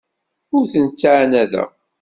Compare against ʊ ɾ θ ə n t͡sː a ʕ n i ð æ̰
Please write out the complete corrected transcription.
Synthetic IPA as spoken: ʊ ɾ θ ə n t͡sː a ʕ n æ ð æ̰